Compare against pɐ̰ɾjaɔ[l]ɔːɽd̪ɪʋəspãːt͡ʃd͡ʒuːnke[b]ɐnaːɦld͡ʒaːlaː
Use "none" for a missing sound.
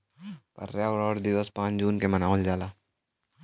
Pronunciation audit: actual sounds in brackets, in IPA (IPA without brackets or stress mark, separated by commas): ɾ, m